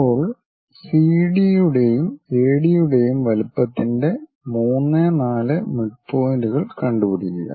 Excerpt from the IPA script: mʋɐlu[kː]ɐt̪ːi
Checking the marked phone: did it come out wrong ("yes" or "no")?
yes